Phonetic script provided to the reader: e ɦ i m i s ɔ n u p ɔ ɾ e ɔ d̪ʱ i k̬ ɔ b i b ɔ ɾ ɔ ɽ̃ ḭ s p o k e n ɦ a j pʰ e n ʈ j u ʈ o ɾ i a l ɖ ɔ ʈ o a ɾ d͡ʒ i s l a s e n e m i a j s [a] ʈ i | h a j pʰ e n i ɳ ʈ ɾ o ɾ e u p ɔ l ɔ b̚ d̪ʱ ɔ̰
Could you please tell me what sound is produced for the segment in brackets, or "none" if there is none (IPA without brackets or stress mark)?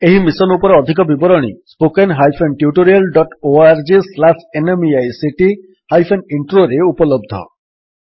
i